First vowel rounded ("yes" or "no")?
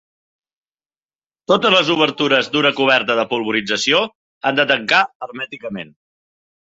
yes